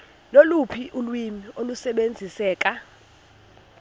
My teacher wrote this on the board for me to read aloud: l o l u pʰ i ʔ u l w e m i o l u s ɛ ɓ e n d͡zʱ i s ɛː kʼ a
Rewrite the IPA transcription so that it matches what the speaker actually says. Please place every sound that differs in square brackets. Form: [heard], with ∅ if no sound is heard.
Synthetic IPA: l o l u pʰ i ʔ u l w [i] m i o l u s ɛ ɓ e n d͡zʱ i s ɛː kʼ a